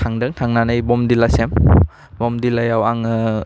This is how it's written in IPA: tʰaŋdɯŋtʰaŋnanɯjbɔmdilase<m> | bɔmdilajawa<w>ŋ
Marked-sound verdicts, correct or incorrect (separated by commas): correct, incorrect